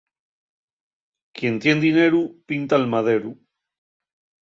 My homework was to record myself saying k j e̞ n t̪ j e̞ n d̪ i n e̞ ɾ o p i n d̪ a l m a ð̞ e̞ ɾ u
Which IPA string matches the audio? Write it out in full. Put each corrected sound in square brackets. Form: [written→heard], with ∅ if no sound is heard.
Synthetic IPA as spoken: k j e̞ n t̪ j e̞ n d̪ i n e̞ ɾ [o→u] p i n [d̪→t̪] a l m a ð̞ e̞ ɾ u